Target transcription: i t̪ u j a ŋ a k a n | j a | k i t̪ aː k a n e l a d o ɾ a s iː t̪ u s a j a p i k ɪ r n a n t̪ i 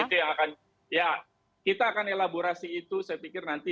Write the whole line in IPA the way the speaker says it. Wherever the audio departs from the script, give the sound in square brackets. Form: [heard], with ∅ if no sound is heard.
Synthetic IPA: i t̪ u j a ŋ a k a n | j a | k i t̪ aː k a n e l a [b] o ɾ a s iː t̪ u s a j a p i k ɪ r n a n t̪ i